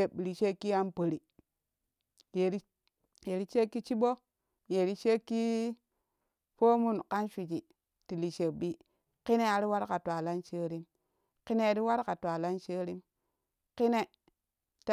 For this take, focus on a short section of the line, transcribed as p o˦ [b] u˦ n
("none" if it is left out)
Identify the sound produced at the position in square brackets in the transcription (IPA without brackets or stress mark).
m